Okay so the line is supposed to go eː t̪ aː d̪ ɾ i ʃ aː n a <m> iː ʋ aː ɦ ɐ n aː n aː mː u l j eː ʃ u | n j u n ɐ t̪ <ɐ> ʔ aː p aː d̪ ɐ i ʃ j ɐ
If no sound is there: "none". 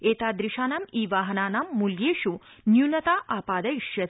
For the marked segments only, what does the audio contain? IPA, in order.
m, a

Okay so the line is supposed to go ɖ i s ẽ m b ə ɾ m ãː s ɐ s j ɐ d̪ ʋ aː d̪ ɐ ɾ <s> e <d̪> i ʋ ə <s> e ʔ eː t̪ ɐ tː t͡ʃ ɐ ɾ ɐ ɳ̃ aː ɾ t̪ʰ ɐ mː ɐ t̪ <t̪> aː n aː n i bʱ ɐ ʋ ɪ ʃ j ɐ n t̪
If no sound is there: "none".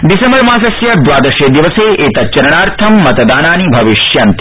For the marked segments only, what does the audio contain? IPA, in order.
ʃ, d̪, s, d̪

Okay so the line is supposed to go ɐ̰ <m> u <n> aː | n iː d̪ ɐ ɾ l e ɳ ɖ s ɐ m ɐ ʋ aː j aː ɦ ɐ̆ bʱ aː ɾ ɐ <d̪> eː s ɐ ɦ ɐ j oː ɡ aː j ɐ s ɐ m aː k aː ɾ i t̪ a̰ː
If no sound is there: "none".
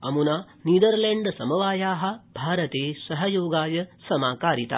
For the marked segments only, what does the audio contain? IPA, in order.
m, n, t̪

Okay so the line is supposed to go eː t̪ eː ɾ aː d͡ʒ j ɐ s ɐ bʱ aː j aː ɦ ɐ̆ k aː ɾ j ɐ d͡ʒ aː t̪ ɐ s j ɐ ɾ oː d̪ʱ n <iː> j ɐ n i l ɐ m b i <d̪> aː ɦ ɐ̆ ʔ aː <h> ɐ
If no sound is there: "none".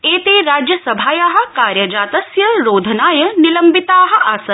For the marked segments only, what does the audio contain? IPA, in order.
aː, t̪, s

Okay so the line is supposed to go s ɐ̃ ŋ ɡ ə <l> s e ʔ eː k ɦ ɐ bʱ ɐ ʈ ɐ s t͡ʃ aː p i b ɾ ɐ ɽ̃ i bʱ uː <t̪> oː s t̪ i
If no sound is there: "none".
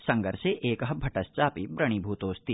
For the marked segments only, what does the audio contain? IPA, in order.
ɾ, t̪

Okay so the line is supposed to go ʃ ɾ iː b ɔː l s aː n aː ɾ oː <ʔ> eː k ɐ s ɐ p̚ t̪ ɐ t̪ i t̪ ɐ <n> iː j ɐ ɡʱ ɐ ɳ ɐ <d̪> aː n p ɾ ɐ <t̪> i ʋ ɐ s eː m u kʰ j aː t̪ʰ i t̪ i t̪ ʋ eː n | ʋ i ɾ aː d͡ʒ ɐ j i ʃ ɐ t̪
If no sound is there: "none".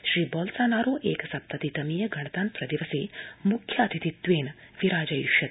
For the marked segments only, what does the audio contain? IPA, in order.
ʔ, m, t̪, d̪

